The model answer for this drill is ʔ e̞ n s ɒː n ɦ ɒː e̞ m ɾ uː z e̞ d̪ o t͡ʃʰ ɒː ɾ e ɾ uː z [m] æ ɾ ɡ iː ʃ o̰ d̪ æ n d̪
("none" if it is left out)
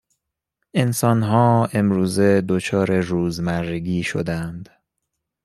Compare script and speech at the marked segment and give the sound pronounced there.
m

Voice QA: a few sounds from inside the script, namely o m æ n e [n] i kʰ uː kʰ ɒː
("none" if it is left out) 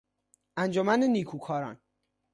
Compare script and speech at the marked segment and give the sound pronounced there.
n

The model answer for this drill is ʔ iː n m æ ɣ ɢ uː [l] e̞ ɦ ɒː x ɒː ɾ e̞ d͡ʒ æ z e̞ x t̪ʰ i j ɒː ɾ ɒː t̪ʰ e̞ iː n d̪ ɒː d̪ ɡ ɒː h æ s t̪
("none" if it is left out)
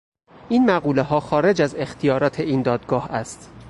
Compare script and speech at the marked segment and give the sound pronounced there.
l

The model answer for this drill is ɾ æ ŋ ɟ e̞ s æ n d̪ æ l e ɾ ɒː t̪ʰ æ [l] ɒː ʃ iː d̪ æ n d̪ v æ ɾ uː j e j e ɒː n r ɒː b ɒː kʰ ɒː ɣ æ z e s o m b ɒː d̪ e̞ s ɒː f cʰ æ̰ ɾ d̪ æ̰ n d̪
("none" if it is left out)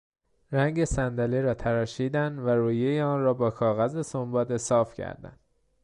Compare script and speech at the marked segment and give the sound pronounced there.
ɾ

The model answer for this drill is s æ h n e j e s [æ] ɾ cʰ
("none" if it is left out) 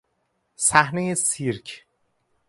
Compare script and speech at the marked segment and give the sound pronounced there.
i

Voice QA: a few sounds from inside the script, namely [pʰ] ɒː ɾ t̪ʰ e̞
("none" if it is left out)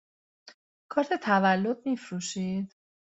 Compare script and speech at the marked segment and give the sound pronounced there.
kʰ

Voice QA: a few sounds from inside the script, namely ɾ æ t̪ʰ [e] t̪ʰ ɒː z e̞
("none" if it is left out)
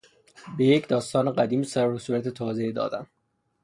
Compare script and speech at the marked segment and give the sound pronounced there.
e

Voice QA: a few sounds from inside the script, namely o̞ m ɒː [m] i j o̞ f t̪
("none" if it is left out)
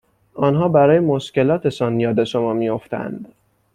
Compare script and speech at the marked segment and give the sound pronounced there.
m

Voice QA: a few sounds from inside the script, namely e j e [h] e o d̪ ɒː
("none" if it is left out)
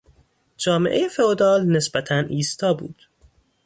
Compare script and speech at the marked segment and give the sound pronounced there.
f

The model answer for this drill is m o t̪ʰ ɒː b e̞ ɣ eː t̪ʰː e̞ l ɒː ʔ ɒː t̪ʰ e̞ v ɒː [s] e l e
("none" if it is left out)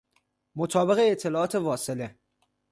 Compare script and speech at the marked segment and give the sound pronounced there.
s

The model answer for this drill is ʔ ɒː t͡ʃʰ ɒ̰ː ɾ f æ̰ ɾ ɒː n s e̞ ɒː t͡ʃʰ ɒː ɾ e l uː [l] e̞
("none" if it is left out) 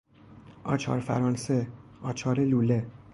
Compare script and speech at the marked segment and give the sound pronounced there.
l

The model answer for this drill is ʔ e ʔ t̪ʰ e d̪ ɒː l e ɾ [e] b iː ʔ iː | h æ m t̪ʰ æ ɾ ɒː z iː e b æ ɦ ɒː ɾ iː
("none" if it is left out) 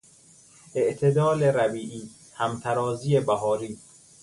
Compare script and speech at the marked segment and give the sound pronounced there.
æ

